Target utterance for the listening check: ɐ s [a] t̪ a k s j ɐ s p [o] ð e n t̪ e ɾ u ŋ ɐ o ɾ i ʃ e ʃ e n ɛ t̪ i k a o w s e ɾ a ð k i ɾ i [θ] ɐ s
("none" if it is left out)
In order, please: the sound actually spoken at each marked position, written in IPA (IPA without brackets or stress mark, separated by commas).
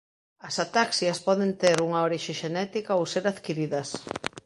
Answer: a, ɔ, ð